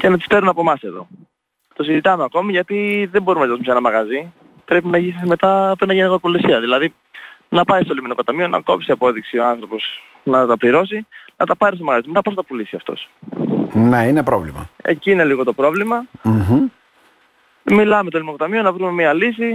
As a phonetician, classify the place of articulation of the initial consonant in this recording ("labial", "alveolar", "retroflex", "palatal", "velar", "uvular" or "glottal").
palatal